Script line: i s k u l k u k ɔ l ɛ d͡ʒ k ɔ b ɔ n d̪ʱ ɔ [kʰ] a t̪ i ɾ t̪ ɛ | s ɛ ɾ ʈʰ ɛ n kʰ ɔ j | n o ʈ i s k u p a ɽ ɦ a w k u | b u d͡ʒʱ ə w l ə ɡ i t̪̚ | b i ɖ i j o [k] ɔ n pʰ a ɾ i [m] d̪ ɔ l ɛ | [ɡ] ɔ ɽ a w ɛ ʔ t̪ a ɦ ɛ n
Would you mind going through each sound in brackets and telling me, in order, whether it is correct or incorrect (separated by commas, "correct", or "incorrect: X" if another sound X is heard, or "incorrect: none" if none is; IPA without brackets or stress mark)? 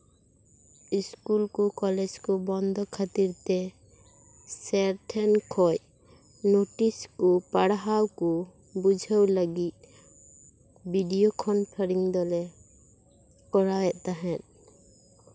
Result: correct, incorrect: kʰ, incorrect: ŋ, incorrect: k